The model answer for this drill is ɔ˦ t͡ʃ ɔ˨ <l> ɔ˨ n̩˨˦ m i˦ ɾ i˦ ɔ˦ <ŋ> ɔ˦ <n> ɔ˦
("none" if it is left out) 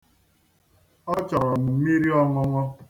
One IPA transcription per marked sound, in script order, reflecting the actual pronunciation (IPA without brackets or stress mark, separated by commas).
ɾ, ŋ, ŋ